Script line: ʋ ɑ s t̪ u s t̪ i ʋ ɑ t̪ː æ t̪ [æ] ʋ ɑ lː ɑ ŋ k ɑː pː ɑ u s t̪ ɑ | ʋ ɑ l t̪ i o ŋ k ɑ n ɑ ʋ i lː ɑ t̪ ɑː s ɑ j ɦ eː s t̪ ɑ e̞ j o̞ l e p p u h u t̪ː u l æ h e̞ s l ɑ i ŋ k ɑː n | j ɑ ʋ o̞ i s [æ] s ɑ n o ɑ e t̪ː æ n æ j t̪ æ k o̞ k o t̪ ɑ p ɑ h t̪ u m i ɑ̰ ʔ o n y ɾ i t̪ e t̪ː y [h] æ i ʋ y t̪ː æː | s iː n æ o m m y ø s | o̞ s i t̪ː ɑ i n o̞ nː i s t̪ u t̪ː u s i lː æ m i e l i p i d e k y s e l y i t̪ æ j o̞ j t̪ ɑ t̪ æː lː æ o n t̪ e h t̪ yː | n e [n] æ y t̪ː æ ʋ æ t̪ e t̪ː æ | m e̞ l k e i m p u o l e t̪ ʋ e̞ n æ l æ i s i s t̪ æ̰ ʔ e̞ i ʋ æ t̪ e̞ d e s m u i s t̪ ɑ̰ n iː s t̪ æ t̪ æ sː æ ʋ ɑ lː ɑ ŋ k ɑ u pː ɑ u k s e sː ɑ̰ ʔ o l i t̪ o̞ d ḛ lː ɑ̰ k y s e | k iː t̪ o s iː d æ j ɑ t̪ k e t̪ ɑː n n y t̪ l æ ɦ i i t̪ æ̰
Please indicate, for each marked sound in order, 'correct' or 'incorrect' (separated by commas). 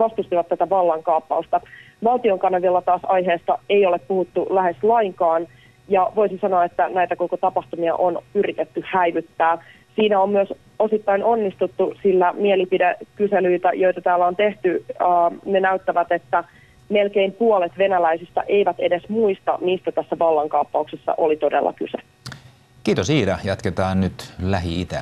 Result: correct, incorrect, correct, correct